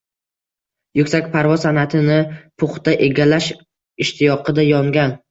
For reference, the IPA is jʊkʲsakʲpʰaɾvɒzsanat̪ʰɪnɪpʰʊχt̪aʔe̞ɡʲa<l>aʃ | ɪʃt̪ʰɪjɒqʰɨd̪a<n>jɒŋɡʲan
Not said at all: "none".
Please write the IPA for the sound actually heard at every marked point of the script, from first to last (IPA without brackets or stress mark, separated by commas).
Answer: l, none